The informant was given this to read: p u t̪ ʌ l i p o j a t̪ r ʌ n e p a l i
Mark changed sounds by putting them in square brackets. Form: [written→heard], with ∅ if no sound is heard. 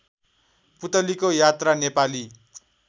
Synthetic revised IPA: p u t̪ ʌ l i [p→k] o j a t̪ r [ʌ→a] n e p a l i